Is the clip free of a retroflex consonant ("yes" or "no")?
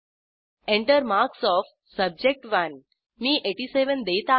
no